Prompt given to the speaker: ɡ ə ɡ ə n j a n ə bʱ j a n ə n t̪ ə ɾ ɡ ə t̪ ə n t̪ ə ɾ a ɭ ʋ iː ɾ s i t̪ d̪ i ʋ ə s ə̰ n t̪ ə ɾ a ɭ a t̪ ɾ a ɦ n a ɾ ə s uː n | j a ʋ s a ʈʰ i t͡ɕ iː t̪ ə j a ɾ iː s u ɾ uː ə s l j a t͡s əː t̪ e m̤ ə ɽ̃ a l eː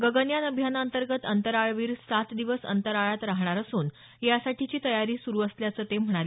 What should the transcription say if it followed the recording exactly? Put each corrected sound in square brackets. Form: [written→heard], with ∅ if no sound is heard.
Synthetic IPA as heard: ɡ ə ɡ ə n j a n ə bʱ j a n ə n t̪ ə ɾ ɡ ə t̪ ə n t̪ ə ɾ a ɭ ʋ iː ɾ s [i→a] t̪ d̪ i ʋ ə s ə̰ n t̪ ə ɾ a ɭ a t̪ ɾ a ɦ [n→ɳ] a ɾ ə s uː n | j a [ʋ→∅] s a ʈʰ i t͡ɕ iː t̪ ə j a ɾ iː s u ɾ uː ə s l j a t͡s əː t̪ e m̤ ə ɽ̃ a l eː